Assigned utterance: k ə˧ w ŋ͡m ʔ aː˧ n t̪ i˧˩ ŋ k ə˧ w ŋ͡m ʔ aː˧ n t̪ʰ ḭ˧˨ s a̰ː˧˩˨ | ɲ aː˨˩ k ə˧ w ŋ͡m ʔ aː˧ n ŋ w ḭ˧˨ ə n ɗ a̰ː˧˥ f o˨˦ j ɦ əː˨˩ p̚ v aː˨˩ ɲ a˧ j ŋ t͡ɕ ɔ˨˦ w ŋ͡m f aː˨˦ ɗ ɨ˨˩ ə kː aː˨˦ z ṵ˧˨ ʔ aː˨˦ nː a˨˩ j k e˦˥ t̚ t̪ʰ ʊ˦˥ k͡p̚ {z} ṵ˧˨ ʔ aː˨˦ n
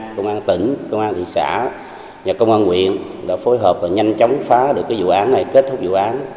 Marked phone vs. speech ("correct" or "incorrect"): correct